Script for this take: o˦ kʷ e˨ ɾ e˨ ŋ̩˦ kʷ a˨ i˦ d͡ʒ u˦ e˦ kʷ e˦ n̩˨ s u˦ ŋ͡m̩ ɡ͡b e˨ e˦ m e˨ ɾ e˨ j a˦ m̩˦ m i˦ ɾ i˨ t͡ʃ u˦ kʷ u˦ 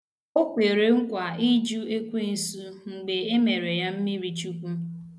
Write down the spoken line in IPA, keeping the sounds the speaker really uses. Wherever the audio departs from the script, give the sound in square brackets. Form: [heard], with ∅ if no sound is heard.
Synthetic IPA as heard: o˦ kʷ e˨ ɾ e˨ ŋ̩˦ kʷ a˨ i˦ d͡ʒ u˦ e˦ kʷ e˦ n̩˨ s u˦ ŋ͡m̩ ɡ͡b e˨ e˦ m e˨ ɾ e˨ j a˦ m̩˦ m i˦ ɾ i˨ t͡ʃ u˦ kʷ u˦